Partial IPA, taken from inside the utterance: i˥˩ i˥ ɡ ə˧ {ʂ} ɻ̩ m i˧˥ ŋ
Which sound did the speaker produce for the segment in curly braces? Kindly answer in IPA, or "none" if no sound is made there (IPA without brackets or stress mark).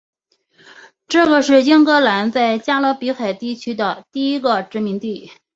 ʈ͡ʂ